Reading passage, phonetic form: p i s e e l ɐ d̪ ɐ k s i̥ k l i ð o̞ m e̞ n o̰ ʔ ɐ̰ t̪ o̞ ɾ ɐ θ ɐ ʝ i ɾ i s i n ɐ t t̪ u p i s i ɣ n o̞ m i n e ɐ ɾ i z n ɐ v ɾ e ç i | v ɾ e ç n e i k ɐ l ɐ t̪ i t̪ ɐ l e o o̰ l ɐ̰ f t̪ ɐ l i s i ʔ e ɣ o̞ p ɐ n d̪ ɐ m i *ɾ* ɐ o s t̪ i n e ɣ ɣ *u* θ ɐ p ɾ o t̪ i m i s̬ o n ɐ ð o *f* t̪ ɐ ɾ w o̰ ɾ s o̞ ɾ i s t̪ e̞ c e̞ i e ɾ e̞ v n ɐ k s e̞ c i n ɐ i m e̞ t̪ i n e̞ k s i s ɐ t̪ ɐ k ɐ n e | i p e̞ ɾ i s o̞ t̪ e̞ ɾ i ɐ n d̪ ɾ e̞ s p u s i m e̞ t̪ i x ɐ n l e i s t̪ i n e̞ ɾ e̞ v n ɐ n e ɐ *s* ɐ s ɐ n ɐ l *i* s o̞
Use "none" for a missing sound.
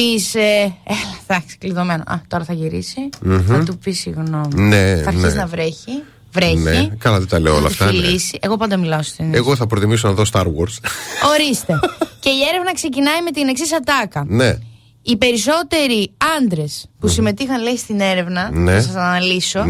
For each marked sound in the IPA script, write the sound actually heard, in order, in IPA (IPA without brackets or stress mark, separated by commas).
l, o, s, s, i